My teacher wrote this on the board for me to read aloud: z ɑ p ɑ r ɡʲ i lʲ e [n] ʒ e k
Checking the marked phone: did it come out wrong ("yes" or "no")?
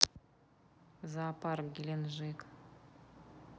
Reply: no